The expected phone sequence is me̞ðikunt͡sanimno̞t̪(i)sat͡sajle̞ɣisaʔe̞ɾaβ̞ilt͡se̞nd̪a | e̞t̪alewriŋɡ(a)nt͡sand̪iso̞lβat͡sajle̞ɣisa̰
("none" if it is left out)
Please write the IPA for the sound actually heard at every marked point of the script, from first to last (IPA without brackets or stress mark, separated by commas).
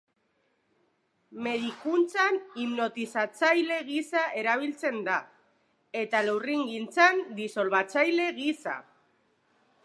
i, i